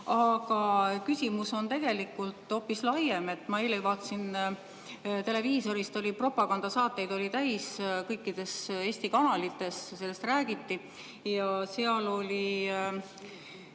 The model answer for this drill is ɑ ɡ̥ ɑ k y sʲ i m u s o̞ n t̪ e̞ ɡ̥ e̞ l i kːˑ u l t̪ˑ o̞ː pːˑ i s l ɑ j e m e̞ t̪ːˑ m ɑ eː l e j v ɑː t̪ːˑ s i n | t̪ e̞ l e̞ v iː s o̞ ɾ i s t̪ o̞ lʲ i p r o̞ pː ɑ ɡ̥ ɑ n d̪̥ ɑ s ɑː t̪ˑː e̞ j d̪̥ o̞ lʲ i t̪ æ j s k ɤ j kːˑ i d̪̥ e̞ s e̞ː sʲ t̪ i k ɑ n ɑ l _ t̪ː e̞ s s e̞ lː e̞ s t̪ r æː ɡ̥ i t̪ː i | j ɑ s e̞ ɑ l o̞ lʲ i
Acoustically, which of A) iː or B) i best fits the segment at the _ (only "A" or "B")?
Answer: B